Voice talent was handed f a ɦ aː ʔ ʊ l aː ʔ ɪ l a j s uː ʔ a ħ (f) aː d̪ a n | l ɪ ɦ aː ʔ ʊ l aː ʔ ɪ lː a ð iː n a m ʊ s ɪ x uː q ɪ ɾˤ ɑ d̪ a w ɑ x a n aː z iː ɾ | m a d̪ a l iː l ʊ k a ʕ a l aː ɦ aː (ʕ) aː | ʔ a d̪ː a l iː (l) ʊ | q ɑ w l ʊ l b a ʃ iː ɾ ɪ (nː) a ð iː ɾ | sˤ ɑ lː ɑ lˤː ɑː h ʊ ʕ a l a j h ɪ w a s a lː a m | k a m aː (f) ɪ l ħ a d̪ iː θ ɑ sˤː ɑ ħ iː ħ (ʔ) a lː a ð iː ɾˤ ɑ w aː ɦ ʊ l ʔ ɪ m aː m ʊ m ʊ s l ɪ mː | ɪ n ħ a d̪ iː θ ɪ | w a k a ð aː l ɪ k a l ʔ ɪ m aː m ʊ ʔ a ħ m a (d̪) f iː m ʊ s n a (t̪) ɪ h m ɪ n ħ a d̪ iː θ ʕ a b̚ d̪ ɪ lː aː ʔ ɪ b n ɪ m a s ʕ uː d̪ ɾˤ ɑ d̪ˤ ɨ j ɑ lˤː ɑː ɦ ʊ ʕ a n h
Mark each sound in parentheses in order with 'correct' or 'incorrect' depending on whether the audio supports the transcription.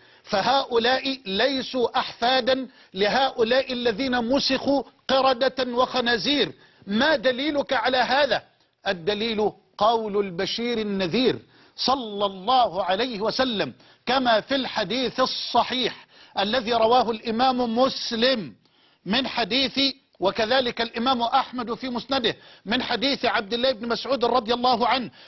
correct, incorrect: ð, correct, correct, correct, correct, correct, incorrect: d̪

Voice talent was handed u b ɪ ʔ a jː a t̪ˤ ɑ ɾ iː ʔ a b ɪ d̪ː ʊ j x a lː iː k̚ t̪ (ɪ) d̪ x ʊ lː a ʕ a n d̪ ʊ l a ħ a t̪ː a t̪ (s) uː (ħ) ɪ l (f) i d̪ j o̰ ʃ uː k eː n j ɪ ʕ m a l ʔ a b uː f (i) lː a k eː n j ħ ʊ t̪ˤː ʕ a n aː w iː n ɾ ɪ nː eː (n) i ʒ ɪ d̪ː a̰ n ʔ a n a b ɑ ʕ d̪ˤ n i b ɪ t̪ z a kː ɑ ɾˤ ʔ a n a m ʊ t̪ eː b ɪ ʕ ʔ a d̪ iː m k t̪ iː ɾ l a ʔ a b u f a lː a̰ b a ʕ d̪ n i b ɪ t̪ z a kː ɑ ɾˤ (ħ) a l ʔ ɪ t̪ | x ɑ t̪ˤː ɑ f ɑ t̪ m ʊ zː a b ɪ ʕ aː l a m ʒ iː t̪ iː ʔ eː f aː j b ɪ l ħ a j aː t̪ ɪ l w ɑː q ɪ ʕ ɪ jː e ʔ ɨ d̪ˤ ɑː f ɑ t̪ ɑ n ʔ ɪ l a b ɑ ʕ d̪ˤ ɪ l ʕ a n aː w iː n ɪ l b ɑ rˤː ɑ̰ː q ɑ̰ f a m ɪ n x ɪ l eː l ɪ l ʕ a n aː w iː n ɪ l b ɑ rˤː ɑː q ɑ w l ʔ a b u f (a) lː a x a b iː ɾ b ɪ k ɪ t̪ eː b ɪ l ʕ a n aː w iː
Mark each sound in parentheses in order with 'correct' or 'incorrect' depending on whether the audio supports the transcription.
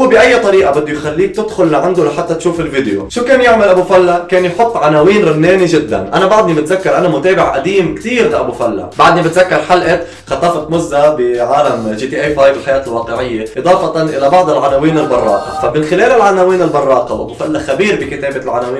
correct, incorrect: ʃ, incorrect: f, incorrect: v, incorrect: a, correct, correct, correct

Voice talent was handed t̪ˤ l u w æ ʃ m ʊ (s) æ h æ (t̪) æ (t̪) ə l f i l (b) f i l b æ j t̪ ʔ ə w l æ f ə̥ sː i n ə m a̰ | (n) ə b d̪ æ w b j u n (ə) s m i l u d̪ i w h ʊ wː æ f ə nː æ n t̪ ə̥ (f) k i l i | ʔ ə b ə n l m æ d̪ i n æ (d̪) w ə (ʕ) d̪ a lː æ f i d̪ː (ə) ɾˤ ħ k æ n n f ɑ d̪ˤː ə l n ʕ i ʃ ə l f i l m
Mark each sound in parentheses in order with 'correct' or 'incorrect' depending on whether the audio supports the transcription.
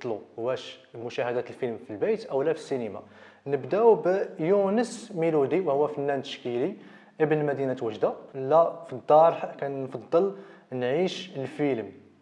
incorrect: ʃ, incorrect: d̪, correct, incorrect: m, correct, correct, incorrect: ʃ, incorrect: t̪, incorrect: ʒ, incorrect: ɑ

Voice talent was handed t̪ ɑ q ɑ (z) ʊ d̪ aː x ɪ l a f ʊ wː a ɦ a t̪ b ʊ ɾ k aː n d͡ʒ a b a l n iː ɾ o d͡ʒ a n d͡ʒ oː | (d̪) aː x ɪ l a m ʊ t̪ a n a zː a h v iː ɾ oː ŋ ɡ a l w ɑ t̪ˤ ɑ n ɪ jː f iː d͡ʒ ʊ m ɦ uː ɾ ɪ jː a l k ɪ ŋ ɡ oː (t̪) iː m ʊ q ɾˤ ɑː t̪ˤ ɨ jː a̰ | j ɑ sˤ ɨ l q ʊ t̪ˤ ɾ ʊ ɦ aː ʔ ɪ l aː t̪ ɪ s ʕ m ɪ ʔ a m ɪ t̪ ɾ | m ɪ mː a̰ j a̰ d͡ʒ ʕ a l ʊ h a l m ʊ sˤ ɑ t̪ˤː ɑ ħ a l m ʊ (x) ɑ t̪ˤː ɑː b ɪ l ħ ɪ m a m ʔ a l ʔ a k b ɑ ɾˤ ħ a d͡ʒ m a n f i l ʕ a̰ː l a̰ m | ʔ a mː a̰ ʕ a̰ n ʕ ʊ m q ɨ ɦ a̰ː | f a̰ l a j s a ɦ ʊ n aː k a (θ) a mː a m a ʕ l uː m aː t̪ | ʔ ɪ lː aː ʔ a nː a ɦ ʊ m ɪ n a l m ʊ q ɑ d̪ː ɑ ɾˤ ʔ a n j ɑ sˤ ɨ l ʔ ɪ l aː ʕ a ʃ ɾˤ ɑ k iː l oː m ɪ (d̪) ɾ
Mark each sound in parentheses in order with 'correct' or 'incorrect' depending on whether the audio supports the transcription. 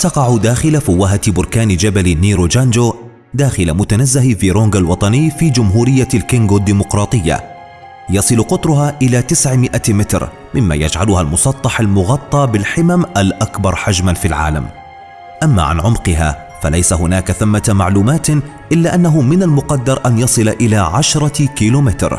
incorrect: ʕ, correct, incorrect: d̪, incorrect: ɣ, correct, incorrect: t̪

